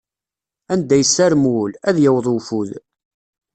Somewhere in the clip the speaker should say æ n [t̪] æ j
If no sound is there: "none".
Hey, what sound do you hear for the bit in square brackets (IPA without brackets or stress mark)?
d̪